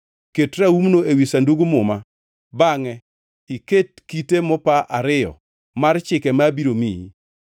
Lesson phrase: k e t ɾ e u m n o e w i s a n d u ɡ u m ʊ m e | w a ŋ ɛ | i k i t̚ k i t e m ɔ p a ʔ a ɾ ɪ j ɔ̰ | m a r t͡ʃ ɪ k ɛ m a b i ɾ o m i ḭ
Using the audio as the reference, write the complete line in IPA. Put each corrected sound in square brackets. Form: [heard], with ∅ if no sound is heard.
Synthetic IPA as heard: k e t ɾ [a] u m n o e w i s a n d u ɡ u m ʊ m [a] | [b] a ŋ ɛ | i k [e] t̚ k i t e m ɔ p a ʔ a ɾ ɪ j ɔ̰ | m a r t͡ʃ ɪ k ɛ m a b i ɾ o m i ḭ